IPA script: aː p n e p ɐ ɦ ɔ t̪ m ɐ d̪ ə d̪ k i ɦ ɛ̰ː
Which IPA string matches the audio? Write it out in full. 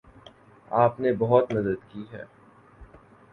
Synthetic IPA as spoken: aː p n e b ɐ ɦ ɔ t̪ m ɐ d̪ ə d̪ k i ɦ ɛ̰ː